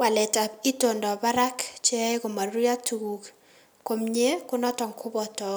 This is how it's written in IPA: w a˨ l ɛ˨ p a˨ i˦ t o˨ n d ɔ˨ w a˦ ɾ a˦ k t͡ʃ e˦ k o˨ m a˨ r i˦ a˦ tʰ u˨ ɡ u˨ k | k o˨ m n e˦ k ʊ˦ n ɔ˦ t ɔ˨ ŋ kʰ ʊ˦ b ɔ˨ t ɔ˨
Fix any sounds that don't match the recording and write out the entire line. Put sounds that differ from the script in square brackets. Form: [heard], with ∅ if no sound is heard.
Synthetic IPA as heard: w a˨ l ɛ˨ [t] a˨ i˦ t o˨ n d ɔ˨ [b] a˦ ɾ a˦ k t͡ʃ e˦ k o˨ m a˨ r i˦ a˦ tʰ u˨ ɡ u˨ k | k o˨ m [ɲ] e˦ k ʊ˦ n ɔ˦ t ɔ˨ ŋ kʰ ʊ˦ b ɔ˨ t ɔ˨